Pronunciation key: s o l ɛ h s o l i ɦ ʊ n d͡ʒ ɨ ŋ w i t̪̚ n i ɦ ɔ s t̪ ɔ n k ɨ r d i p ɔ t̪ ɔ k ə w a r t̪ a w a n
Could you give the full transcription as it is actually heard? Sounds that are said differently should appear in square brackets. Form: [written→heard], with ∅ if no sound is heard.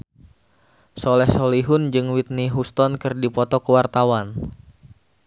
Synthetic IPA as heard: s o l ɛ h s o l i ɦ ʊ n d͡ʒ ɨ ŋ w i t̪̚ n i ɦ [ɔ→u] s t̪ ɔ n k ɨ r d i p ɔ t̪ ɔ k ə w a r t̪ a w a n